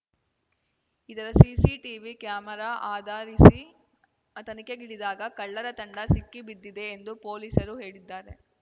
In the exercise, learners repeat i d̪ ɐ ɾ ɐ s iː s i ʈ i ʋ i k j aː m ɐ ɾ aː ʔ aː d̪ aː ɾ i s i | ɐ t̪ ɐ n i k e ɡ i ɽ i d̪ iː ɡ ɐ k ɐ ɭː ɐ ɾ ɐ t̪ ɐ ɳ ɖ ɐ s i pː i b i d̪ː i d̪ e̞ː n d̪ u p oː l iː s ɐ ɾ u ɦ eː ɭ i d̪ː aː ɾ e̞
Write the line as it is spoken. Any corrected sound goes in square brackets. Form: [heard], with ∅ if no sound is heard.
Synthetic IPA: i d̪ ɐ ɾ ɐ s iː s i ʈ i ʋ i k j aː m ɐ ɾ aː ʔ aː d̪ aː ɾ i s i | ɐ t̪ ɐ n i k e ɡ i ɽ i d̪ [aː] ɡ ɐ k ɐ ɭː ɐ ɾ ɐ t̪ ɐ ɳ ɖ ɐ s i [kː] i b i d̪ː i d̪ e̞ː n d̪ u p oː l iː s ɐ ɾ u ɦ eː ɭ i d̪ː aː ɾ e̞